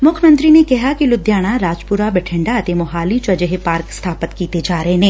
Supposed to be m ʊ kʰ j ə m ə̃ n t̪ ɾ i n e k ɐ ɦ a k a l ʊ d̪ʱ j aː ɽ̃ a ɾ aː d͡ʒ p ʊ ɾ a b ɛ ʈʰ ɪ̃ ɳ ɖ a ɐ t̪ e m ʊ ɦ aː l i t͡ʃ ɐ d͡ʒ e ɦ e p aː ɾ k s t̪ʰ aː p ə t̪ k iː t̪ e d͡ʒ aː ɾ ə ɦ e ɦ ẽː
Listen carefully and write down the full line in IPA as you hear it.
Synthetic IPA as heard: m ʊ kʰ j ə m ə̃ n t̪ ɾ i n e k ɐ ɦ a k i l ʊ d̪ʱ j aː ɽ̃ a ɾ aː d͡ʒ p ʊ ɾ a b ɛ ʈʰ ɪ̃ ɳ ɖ a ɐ t̪ e m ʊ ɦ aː l i t͡ʃ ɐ d͡ʒ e ɦ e p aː ɾ k s t̪ʰ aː p ə t̪ k iː t̪ e d͡ʒ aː ɾ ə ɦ e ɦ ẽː